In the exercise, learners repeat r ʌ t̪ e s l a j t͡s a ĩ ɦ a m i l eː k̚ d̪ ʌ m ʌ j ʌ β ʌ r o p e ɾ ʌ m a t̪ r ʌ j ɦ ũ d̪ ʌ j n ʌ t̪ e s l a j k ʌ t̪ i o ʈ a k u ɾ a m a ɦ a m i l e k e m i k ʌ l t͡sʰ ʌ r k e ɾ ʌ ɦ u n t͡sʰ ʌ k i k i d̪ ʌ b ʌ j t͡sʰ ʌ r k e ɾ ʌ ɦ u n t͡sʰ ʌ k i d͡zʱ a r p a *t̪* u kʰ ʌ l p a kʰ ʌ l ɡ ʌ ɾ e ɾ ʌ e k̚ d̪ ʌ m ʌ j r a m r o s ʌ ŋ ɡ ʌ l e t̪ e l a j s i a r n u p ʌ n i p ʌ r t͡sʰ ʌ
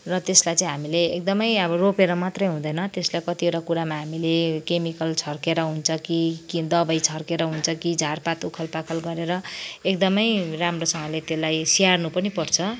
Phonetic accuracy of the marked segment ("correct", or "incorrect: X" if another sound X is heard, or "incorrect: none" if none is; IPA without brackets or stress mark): correct